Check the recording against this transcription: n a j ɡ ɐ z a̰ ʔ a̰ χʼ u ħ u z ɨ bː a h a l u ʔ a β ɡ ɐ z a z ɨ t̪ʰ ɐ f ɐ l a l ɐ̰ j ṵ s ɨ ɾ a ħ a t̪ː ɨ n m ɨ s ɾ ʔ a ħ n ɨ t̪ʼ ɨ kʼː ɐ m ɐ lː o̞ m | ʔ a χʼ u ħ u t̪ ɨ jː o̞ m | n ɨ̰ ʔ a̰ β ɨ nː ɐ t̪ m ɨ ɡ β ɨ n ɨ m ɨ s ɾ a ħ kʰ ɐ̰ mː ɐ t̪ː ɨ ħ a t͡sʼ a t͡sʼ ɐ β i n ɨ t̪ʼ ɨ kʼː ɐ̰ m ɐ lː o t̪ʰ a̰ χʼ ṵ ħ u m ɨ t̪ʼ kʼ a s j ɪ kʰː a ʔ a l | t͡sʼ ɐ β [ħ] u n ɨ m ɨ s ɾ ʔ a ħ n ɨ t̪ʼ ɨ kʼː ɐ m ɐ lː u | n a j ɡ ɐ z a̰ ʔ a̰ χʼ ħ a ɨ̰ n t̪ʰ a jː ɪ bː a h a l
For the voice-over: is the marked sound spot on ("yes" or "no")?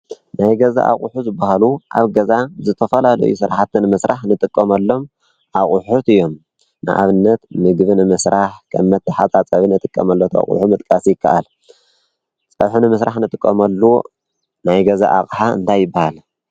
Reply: yes